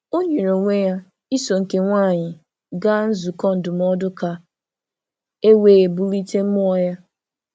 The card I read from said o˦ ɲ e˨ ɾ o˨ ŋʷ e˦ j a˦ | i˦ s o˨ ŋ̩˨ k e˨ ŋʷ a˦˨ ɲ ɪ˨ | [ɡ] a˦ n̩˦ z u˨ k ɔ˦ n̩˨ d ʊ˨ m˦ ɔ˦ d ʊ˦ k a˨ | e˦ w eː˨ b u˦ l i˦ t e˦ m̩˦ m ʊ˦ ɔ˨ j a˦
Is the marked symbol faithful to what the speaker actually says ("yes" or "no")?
yes